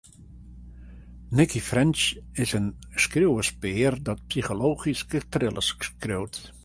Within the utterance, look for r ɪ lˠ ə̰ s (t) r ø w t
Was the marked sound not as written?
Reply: yes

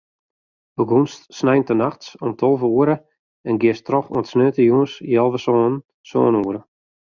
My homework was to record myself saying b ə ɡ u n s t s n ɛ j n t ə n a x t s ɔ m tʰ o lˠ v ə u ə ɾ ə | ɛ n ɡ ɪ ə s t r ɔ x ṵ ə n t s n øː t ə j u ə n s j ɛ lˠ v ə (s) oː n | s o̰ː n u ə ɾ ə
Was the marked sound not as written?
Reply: no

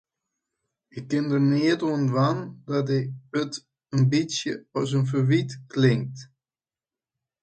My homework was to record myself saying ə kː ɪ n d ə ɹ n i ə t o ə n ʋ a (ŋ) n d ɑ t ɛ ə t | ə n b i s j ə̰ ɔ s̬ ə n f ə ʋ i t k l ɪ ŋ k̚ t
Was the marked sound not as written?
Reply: yes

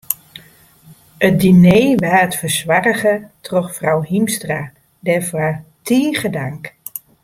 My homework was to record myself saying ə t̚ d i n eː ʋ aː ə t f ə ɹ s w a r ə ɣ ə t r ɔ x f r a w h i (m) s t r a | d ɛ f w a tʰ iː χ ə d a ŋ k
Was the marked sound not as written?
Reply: no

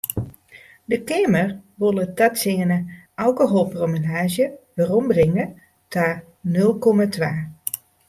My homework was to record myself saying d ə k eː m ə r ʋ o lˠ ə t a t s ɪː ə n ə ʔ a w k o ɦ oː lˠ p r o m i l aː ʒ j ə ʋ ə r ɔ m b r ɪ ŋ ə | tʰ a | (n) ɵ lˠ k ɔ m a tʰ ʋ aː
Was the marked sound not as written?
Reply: no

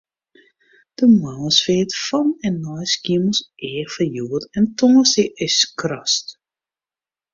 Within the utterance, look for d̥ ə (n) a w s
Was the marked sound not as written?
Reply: yes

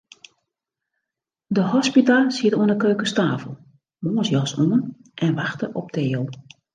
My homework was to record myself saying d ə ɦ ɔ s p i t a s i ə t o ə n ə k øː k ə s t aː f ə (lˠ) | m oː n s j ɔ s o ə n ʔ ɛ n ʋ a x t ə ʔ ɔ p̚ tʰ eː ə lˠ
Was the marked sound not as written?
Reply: no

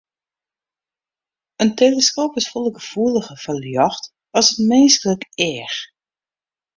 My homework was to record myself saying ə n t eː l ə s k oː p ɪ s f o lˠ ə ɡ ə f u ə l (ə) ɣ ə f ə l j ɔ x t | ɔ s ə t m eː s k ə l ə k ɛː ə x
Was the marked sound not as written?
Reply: no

